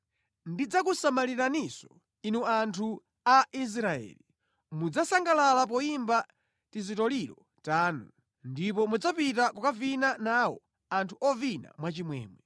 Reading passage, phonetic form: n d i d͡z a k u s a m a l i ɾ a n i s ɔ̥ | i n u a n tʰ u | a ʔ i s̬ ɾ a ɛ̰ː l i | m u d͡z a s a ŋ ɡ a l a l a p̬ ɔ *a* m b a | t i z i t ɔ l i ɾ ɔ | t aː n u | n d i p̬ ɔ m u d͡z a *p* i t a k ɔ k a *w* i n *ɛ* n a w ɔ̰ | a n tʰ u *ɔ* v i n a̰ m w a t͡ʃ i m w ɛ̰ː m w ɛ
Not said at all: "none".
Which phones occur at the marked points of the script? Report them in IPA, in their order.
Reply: i, p, v, a, ɔ

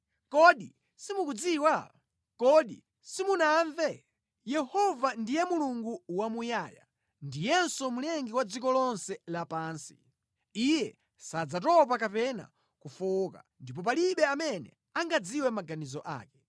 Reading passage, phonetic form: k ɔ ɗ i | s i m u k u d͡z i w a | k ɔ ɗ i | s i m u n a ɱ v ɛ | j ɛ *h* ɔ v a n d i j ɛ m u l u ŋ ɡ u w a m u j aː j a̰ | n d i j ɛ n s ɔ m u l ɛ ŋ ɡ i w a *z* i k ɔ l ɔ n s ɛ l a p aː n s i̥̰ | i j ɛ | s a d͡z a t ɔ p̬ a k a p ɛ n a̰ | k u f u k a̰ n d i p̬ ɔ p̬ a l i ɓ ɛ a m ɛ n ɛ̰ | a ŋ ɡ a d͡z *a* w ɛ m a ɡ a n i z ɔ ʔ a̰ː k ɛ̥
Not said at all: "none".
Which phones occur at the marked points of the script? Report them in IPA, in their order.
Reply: h, d͡z, i

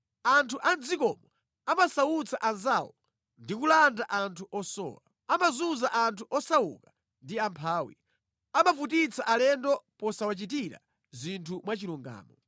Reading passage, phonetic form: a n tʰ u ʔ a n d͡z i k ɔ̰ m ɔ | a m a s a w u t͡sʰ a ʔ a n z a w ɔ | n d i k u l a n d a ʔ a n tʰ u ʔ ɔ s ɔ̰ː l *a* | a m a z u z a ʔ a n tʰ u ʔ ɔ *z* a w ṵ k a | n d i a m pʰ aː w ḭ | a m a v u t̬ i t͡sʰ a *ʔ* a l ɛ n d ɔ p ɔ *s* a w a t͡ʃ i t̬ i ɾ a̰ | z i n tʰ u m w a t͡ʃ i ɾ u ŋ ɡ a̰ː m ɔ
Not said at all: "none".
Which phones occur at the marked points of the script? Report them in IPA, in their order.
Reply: a, s, ʔ, s

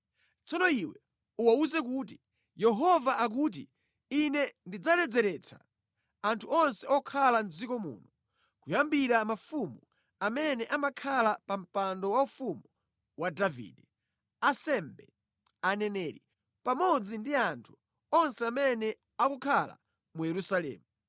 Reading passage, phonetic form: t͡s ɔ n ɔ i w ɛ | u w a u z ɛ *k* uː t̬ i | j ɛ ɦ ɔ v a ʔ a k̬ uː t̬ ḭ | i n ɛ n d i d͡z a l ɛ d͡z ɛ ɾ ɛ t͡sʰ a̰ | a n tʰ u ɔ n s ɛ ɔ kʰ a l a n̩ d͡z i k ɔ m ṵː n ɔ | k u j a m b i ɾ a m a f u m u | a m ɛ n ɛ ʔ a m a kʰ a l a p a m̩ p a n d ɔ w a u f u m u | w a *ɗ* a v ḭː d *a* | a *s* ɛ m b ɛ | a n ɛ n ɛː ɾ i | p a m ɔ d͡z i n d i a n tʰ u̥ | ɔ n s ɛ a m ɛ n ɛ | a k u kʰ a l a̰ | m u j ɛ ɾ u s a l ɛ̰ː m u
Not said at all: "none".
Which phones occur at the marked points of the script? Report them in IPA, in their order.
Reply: k, d, ɛ, s

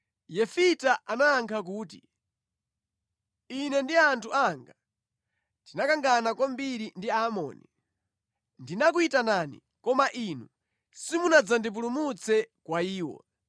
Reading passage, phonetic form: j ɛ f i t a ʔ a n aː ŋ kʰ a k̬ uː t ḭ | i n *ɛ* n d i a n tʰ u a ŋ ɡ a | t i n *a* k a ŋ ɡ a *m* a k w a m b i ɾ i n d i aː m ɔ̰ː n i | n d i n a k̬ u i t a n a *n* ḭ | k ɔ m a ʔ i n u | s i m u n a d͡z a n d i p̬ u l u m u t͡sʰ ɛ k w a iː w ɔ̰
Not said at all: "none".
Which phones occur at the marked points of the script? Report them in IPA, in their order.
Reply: ɛ, a, n, n

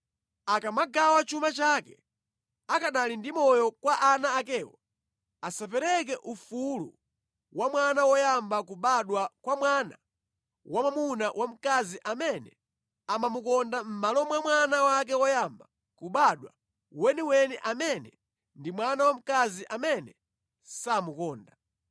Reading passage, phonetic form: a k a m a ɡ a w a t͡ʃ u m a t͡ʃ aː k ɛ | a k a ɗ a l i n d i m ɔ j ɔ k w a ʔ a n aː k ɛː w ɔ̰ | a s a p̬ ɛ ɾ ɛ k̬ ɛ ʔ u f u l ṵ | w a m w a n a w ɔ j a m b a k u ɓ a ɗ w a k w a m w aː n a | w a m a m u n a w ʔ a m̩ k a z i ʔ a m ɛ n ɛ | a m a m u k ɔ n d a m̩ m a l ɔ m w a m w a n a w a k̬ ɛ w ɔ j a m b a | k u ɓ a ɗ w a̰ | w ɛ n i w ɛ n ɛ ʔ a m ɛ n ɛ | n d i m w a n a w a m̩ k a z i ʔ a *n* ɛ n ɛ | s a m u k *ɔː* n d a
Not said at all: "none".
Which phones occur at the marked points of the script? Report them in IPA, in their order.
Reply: m, ɔː

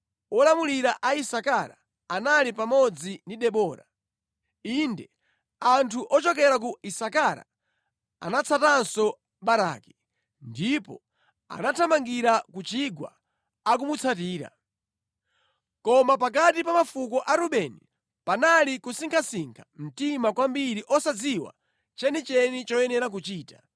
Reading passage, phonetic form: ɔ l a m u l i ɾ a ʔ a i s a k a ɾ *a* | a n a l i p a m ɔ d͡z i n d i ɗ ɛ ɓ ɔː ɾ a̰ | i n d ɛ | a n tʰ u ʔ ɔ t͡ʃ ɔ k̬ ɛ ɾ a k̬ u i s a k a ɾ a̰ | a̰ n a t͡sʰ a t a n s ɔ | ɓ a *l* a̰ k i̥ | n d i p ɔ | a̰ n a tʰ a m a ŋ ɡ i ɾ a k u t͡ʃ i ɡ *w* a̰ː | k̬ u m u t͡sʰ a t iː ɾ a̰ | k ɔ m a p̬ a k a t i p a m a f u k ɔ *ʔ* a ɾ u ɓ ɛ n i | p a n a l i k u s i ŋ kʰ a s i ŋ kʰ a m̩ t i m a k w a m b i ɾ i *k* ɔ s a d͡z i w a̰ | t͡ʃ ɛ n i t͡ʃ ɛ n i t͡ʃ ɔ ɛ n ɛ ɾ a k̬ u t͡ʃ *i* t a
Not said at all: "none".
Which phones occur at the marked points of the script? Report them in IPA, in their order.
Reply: a, ɾ, w, ʔ, ʔ, iː

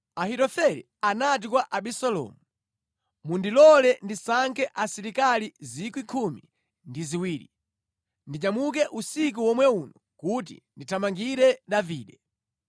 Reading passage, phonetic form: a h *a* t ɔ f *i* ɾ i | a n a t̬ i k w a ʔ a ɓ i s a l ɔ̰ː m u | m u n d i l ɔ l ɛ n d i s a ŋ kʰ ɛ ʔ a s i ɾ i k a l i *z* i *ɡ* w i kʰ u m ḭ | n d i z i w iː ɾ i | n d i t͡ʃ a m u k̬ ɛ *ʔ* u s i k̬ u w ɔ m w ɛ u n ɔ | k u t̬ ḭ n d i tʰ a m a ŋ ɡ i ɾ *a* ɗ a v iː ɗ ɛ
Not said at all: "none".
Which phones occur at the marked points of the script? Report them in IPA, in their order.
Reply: i, ɛ, z, k, ʔ, ɛ

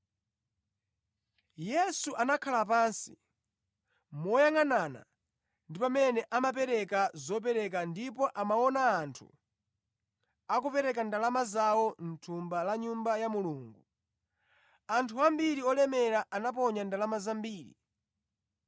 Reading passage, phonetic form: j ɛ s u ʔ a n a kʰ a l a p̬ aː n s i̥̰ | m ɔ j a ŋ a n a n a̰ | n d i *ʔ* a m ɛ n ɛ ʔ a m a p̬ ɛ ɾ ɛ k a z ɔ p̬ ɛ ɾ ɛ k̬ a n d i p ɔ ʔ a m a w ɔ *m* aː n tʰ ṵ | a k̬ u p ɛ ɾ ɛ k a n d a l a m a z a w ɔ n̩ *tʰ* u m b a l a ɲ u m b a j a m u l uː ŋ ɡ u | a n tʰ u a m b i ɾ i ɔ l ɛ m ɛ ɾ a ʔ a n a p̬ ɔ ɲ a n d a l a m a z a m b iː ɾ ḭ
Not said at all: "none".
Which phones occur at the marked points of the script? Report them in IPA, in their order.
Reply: p, n, tʰ

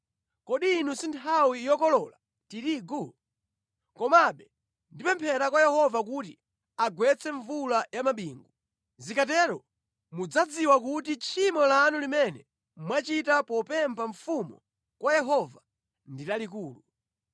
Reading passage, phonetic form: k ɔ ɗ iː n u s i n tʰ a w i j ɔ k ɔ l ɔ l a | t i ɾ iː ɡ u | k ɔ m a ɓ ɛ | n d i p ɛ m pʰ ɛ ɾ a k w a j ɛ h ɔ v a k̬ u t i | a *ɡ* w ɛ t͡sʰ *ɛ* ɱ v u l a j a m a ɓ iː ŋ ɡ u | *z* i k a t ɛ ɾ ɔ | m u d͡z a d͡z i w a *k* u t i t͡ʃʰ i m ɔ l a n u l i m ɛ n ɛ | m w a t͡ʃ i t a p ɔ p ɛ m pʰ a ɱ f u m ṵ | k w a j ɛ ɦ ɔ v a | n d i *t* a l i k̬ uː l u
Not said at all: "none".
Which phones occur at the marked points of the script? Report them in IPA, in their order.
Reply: ɡ, ɛ, z, k, t

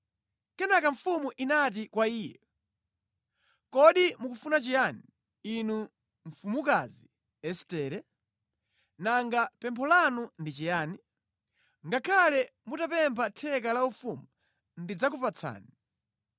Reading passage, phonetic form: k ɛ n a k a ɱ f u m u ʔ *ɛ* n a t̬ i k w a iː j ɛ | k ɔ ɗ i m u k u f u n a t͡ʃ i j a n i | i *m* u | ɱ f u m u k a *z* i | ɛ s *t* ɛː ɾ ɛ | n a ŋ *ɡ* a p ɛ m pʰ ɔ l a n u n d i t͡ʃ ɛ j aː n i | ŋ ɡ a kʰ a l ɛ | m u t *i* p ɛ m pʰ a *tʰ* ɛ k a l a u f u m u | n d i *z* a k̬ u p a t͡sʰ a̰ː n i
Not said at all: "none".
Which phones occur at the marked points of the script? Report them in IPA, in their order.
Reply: i, n, z, t, ɡ, a, tʰ, d͡z

